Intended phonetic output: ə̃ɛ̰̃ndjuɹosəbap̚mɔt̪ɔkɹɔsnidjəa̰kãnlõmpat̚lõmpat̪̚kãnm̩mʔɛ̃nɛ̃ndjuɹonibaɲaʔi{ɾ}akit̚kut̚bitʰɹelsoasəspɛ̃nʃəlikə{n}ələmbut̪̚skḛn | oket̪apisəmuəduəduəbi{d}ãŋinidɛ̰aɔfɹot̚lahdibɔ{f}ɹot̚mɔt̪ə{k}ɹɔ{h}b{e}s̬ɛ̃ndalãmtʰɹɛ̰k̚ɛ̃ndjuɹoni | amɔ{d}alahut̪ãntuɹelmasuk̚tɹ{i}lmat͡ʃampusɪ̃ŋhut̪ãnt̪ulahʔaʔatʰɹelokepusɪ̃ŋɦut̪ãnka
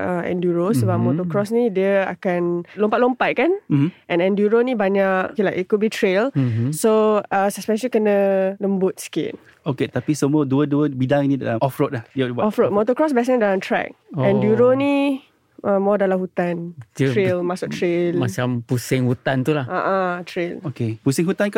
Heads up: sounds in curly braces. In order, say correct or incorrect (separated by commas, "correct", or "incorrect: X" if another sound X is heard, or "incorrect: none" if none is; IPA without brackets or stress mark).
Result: incorrect: l, correct, correct, correct, correct, incorrect: s, incorrect: ɛ, correct, incorrect: e